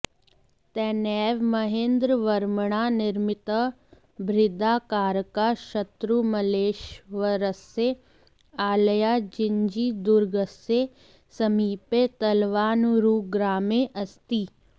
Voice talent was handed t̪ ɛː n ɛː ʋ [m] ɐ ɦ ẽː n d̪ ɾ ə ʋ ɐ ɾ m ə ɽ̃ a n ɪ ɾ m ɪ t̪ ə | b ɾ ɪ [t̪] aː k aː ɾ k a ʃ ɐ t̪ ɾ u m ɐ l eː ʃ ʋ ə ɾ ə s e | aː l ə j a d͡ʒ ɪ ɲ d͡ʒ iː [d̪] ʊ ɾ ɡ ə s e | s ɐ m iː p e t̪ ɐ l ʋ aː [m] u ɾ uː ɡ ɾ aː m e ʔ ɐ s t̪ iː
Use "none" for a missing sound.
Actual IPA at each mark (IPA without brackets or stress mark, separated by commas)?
m, d̪, d̪, n